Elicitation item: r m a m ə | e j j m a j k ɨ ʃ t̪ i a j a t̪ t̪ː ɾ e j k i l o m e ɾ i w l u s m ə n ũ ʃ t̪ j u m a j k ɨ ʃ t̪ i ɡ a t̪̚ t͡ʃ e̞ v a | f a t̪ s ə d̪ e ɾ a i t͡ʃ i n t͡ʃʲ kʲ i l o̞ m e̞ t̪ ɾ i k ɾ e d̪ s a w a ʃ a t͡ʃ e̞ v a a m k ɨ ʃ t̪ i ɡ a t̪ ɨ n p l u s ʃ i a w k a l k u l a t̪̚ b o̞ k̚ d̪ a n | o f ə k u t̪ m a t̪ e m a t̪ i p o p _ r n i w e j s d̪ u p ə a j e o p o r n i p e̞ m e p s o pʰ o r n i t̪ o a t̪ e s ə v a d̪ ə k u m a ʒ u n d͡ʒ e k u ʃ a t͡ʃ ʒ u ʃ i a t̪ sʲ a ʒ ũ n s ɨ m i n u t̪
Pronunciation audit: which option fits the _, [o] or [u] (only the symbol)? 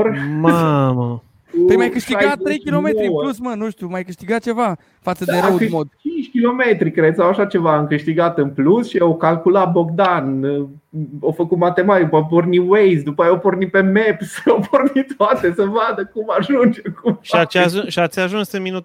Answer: o